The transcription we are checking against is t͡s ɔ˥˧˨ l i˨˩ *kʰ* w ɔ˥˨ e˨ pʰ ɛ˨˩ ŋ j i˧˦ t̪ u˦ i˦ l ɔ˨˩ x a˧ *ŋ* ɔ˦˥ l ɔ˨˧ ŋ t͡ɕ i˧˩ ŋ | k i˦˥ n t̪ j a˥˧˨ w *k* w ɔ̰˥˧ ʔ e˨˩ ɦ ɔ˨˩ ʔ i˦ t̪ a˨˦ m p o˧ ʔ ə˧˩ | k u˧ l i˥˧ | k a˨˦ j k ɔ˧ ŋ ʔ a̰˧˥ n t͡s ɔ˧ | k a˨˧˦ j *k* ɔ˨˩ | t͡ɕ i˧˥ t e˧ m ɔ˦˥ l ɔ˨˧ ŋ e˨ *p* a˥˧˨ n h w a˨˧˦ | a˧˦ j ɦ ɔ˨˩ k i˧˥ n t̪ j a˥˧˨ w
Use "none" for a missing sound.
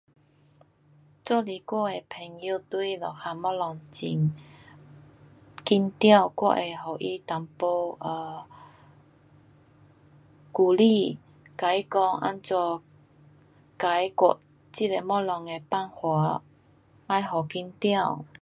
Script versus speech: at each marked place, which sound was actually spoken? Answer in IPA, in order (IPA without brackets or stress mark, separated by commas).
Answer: k, m, k, k, p